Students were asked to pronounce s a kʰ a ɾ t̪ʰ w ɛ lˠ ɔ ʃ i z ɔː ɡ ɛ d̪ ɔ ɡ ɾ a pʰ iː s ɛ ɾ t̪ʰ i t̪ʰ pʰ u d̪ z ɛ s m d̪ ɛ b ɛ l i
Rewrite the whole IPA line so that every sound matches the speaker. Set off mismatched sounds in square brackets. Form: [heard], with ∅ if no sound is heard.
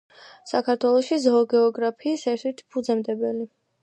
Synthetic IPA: s a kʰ a ɾ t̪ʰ w ɛ lˠ ɔ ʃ i z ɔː ɡ ɛ [∅] ɔ ɡ ɾ a pʰ iː s ɛ ɾ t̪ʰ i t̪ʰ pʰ u d̪ z ɛ [∅] m d̪ ɛ b ɛ l i